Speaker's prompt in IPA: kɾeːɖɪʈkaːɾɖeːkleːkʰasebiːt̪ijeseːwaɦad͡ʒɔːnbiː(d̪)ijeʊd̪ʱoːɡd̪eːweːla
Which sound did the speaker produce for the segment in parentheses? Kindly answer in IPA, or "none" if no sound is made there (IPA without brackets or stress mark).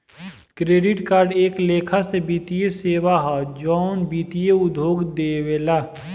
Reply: t̪